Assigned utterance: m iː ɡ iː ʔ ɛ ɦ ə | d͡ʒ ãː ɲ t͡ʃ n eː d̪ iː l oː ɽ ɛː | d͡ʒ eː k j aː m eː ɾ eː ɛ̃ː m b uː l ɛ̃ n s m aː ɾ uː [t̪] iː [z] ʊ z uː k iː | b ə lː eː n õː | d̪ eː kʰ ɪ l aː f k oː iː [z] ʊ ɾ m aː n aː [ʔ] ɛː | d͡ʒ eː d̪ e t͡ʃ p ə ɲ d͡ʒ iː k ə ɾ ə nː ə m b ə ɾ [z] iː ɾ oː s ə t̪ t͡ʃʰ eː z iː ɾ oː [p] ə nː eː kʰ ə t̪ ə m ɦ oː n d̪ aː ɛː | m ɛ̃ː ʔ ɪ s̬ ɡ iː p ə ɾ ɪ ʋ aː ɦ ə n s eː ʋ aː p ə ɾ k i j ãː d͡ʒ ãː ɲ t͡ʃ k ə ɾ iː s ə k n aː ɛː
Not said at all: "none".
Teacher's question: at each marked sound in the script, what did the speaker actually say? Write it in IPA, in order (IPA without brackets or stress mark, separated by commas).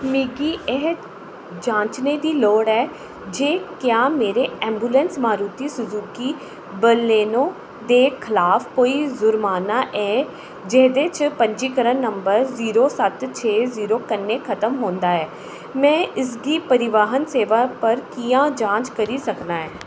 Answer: t̪, s, z, ʔ, z, k